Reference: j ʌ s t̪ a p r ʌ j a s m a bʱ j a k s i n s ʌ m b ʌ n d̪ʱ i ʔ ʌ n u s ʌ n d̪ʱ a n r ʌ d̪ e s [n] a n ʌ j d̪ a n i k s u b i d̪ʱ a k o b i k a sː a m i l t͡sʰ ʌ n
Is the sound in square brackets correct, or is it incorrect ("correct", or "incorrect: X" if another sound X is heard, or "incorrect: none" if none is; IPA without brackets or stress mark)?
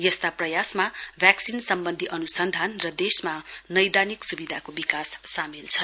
incorrect: m